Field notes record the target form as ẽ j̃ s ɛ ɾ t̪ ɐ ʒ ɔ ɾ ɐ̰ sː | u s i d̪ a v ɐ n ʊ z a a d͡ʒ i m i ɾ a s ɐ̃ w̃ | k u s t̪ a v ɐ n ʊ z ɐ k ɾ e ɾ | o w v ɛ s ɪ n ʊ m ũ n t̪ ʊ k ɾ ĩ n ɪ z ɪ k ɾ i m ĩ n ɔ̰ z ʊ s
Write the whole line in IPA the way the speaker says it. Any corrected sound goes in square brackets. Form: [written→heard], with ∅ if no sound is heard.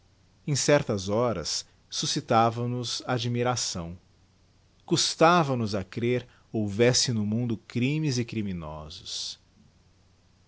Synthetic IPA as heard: ẽ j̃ s ɛ ɾ t̪ ɐ [ʒ→z] ɔ ɾ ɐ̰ sː | u s i [d̪→t̪] a v ɐ n ʊ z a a d͡ʒ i m i ɾ a s ɐ̃ w̃ | k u s t̪ a v ɐ n ʊ z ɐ k ɾ e ɾ | o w v ɛ s ɪ n ʊ m ũ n [t̪→d̪] ʊ k ɾ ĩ [n→m] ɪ z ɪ k ɾ i m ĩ n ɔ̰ z ʊ s